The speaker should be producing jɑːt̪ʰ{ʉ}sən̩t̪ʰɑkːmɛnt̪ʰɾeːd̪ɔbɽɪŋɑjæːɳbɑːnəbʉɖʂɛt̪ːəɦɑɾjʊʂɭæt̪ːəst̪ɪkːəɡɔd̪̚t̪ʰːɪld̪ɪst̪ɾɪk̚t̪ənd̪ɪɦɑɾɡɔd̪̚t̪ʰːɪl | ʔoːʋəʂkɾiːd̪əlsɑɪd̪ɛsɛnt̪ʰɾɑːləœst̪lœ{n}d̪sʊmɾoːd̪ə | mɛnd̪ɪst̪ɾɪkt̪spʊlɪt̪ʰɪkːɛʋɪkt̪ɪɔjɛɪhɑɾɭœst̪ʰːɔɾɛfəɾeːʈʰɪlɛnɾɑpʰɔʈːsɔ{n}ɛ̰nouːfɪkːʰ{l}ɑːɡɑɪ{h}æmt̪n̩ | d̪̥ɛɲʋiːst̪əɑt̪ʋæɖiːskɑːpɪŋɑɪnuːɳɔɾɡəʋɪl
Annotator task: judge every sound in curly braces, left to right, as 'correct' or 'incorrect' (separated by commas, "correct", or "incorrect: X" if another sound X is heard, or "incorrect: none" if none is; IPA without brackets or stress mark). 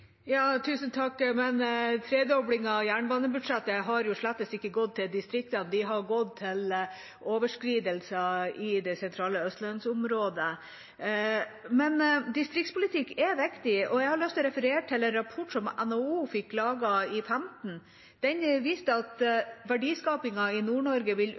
incorrect: ʉː, correct, incorrect: m, correct, incorrect: f